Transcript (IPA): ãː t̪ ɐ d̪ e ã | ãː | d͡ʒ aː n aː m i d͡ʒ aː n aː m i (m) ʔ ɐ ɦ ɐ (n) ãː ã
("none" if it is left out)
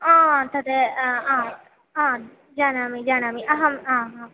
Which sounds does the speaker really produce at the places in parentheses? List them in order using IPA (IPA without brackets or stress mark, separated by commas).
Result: none, m